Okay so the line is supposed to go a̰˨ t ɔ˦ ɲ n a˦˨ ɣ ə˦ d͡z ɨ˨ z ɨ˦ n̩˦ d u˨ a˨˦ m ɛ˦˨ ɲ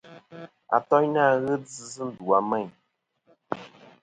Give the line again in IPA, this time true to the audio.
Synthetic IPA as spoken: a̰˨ t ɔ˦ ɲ n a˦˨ ɣ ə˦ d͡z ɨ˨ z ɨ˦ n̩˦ d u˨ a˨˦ m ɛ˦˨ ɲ

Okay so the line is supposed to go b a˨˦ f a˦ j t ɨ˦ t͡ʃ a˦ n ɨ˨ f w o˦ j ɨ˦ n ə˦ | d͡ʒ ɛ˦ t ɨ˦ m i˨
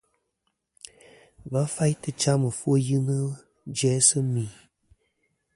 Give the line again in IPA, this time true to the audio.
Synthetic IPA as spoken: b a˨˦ f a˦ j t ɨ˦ t͡ʃ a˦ m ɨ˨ f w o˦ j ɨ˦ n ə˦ | d͡ʒ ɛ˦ s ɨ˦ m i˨

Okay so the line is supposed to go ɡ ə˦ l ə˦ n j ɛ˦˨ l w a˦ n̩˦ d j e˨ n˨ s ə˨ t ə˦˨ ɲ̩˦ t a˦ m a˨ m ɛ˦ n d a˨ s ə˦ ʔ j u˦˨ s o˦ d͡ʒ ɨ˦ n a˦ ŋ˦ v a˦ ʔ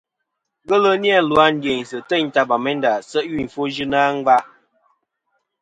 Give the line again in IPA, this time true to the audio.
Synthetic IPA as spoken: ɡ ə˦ l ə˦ n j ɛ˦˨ l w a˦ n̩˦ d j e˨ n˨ s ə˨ t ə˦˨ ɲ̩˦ t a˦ b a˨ m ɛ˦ n d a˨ s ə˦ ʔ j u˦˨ f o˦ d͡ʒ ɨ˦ n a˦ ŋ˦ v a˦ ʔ

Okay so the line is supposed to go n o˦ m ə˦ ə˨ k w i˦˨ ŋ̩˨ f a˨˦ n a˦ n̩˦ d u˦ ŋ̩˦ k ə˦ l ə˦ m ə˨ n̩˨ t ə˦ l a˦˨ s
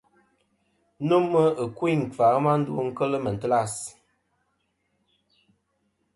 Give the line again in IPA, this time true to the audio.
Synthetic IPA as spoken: n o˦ m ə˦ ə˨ k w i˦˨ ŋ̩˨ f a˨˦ m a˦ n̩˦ d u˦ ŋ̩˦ k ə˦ l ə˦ m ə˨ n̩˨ t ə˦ l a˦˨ s

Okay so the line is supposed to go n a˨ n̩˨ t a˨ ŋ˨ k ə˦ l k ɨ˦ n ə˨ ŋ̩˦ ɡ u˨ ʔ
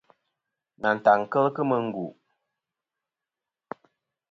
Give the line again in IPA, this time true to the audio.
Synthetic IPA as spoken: n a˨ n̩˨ t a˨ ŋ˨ k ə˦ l k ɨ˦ m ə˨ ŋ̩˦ ɡ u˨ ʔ

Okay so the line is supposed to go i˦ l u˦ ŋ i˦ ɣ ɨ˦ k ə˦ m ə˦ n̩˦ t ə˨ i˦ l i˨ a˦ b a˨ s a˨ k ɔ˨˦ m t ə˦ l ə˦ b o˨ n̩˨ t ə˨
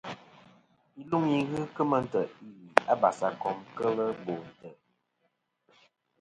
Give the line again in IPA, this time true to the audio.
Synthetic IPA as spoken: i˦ l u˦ ŋ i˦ ɣ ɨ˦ k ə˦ m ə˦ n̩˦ t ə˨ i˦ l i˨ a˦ b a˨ s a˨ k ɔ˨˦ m k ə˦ l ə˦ b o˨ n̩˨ t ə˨

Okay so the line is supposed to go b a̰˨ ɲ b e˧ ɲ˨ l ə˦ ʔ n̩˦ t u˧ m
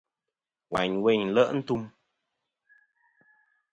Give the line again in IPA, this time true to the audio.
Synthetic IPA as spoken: w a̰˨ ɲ w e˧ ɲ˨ l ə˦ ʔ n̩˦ t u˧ m

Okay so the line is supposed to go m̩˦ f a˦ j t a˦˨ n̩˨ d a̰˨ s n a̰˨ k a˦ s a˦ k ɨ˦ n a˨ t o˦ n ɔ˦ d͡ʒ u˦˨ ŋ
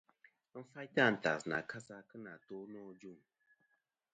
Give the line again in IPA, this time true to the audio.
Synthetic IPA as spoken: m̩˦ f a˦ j t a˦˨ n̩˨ t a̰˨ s n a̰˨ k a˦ s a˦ k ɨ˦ n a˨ t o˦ n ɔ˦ d͡ʒ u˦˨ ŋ

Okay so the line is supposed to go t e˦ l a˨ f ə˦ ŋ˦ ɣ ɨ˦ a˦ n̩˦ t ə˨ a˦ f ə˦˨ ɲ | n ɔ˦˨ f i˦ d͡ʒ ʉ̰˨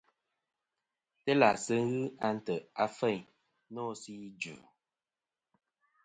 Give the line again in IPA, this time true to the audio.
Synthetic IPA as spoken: t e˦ l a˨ s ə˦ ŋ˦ ɣ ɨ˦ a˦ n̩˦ t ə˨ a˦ f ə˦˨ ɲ | n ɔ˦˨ s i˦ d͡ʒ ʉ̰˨

